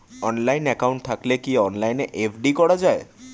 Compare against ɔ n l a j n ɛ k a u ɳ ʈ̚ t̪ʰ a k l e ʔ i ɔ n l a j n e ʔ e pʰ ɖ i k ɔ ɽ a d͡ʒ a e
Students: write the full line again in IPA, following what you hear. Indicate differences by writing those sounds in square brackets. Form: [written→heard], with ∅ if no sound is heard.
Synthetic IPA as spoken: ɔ n l a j n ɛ k a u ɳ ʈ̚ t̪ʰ a k l e [ʔ→k] i ɔ n l a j n e ʔ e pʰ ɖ i k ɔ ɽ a d͡ʒ a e